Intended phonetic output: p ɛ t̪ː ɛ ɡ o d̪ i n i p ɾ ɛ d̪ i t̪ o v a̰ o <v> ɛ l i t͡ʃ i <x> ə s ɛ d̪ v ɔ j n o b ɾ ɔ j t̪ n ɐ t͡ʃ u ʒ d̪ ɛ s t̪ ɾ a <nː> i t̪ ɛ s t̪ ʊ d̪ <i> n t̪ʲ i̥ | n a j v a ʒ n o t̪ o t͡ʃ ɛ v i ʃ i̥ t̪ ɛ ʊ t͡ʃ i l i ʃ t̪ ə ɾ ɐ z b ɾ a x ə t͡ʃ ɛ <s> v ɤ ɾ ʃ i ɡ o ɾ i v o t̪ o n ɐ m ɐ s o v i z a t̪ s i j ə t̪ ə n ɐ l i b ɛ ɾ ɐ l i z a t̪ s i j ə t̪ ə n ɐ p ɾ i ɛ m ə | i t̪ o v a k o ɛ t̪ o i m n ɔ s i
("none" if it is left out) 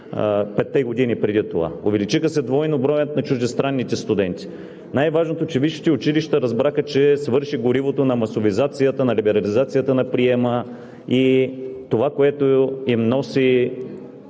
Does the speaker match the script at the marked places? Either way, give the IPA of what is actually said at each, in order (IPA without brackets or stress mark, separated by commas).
v, x, nː, ɛ, s